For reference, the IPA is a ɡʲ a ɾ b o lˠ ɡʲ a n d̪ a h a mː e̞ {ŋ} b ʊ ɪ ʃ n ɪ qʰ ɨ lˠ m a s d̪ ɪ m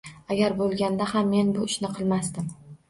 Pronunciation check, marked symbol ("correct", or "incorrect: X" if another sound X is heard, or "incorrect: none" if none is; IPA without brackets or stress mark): incorrect: n